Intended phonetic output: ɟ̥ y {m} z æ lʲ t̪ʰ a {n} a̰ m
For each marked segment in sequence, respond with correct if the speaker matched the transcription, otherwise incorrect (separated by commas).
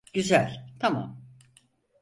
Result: incorrect, incorrect